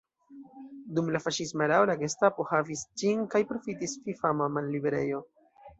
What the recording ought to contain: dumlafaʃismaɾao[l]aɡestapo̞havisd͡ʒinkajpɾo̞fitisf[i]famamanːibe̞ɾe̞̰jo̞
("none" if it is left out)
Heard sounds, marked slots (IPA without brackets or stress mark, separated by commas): l, i